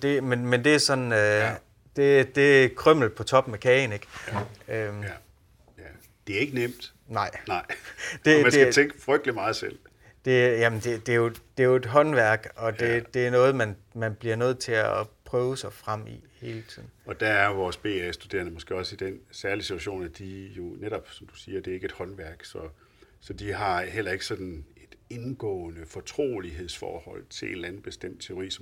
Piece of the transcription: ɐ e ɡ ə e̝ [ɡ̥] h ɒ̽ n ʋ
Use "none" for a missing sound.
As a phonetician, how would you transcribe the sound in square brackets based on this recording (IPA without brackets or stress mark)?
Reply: d̥